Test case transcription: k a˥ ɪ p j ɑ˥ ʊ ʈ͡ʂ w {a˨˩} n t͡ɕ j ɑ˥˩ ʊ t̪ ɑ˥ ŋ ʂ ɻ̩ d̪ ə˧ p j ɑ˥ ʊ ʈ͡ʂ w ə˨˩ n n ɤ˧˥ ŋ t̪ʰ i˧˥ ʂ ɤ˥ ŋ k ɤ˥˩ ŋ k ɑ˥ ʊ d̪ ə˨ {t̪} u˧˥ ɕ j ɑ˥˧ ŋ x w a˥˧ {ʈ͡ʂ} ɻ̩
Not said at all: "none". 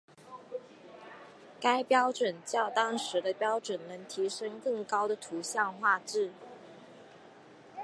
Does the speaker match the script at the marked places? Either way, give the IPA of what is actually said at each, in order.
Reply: ə˨˩, t̪ʰ, ʈ͡ʂ

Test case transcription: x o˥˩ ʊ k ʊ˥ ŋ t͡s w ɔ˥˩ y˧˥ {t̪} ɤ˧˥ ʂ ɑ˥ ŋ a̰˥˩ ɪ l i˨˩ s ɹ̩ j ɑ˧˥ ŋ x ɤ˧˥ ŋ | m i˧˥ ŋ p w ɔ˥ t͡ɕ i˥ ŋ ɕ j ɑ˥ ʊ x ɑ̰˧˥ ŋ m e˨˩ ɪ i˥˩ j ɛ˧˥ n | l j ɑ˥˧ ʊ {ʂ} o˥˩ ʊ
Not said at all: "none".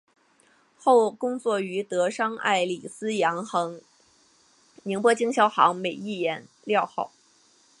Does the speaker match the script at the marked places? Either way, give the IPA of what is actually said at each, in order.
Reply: t̪, x

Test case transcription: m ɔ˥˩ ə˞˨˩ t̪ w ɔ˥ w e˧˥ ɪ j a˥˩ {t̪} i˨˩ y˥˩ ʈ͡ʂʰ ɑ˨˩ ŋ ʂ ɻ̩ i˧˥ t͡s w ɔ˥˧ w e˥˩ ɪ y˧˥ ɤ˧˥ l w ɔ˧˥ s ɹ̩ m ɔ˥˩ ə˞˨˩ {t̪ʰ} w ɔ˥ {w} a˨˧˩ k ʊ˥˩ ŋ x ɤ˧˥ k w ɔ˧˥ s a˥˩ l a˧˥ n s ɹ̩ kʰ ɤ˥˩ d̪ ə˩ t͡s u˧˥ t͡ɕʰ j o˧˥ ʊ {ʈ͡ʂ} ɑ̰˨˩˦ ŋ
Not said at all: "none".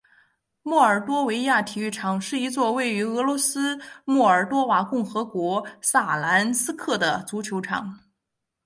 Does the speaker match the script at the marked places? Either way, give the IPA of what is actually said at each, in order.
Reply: t̪ʰ, t̪, w, ʈ͡ʂʰ

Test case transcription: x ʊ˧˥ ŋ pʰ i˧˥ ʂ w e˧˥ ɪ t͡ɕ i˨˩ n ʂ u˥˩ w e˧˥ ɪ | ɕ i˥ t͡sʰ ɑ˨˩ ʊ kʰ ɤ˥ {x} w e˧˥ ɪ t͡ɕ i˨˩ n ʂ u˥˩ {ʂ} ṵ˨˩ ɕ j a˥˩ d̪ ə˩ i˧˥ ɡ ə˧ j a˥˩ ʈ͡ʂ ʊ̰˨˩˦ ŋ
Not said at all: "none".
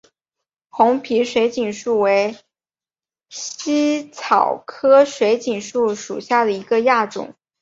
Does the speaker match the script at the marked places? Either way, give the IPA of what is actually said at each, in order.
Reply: ʂ, ʂ

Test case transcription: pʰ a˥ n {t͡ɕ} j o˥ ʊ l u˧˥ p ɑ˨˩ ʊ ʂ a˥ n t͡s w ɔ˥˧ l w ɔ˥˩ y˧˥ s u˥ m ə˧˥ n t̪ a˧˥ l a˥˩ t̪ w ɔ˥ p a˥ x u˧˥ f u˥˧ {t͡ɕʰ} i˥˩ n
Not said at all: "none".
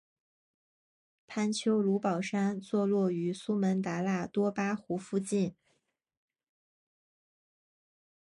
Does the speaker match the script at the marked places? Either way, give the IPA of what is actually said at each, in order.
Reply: t͡ɕʰ, t͡ɕ

